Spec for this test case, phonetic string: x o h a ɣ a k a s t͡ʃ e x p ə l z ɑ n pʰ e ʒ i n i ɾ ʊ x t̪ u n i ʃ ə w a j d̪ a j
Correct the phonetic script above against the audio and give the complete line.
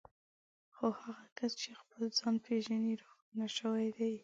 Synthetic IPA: x o h a ɣ a k a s t͡ʃ e x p ə l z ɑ n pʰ e ʒ a n i ɾ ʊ x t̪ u n a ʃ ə w a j d̪ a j